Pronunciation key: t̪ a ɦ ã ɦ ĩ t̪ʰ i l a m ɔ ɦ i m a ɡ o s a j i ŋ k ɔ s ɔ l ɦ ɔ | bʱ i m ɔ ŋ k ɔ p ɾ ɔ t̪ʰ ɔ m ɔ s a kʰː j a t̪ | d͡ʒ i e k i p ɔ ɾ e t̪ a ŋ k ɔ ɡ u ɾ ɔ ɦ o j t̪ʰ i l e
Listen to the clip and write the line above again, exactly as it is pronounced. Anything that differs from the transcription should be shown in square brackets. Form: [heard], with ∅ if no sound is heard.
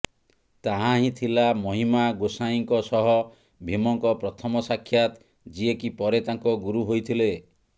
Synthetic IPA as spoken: t̪ a ɦ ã ɦ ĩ t̪ʰ i l a m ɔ ɦ i m a ɡ o s a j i ŋ k ɔ s ɔ [∅] ɦ ɔ | bʱ i m ɔ ŋ k ɔ p ɾ ɔ t̪ʰ ɔ m ɔ s a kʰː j a t̪ | d͡ʒ i e k i p ɔ ɾ e t̪ a ŋ k ɔ ɡ u ɾ [u] ɦ o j t̪ʰ i l e